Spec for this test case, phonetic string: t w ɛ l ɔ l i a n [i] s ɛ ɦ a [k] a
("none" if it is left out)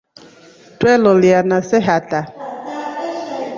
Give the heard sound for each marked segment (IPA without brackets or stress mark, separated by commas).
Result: a, t